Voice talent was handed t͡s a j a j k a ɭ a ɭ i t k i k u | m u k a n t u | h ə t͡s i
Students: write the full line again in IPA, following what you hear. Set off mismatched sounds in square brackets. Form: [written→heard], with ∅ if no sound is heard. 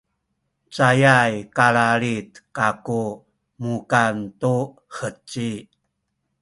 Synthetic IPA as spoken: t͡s a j a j k a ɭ a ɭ i t k [i→a] k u | m u k a n t u | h ə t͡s i